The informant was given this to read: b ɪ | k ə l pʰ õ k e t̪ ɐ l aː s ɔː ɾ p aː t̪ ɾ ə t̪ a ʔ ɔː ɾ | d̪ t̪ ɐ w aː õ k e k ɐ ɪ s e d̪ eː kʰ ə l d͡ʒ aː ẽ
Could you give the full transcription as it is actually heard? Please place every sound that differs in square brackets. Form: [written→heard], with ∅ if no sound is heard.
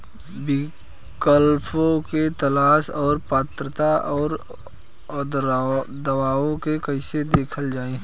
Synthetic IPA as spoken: b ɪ | k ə l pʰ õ k e t̪ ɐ l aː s ɔː ɾ p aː t̪ ɾ ə t̪ a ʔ ɔː ɾ | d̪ [t̪→d̪] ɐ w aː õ k e k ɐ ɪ s e d̪ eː kʰ ə l d͡ʒ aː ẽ